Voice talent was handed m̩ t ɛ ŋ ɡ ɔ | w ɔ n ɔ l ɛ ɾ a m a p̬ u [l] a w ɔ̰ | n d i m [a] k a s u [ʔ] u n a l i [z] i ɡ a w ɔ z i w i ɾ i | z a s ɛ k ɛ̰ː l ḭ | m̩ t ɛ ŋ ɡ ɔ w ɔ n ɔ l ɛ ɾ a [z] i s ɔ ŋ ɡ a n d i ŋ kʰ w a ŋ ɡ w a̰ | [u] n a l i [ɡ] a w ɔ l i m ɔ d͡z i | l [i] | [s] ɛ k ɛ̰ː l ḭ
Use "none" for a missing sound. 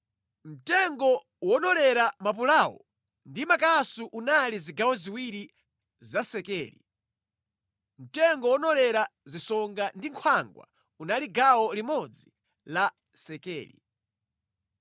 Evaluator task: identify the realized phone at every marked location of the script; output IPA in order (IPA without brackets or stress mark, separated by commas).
l, a, ʔ, z, z, u, ɡ, a, s